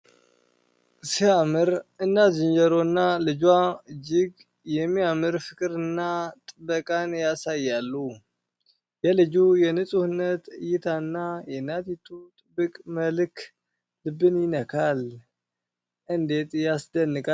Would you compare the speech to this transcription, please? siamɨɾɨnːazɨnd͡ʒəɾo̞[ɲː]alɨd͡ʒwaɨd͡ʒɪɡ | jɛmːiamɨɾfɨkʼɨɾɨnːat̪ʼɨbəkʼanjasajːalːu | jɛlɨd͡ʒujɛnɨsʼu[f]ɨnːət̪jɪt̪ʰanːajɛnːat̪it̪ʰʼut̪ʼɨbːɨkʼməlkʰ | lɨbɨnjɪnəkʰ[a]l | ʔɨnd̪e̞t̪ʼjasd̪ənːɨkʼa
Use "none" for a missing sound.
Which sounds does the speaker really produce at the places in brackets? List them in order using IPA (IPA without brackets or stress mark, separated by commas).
nː, h, a